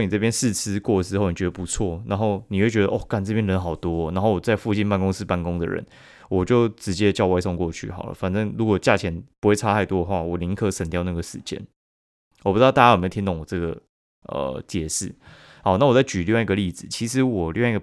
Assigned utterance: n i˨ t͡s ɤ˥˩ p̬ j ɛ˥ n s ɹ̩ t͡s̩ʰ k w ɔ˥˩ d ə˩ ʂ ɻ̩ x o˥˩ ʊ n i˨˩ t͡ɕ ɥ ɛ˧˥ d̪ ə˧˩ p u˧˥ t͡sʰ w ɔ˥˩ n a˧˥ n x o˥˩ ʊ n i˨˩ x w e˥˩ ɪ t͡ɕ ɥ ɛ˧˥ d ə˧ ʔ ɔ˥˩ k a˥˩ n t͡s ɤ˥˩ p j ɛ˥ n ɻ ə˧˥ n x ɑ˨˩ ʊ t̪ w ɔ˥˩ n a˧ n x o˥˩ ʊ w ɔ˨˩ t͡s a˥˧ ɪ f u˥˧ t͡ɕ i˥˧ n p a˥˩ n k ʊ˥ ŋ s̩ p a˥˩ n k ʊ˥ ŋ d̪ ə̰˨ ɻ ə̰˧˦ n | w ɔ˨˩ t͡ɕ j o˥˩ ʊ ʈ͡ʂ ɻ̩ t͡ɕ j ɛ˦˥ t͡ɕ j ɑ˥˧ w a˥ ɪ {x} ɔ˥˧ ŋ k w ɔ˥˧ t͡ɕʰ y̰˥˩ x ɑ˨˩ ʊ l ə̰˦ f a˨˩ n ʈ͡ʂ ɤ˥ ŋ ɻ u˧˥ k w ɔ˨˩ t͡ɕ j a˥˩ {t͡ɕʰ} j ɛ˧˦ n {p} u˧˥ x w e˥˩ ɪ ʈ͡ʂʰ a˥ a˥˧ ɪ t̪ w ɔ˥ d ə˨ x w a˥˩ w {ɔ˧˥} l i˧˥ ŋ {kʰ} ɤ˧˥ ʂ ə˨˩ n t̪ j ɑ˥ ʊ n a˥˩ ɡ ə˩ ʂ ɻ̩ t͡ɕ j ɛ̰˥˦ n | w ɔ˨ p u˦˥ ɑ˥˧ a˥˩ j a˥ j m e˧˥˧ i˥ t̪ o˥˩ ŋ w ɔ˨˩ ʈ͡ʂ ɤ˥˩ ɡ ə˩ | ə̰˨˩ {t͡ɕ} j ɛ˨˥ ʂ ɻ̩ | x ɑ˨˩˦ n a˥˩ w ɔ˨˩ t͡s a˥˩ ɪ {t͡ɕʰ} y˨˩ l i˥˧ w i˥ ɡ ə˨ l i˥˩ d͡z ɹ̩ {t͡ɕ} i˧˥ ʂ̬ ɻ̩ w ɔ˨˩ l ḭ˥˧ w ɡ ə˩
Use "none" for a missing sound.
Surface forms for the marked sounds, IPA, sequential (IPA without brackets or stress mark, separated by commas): s, t͡ɕʰ, p, ɔ˨˩, kʰ, t͡ɕ, t͡ɕ, t͡ɕʰ